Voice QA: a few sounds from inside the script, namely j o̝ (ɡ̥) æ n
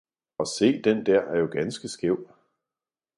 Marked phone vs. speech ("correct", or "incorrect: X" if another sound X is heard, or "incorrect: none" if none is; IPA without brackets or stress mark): correct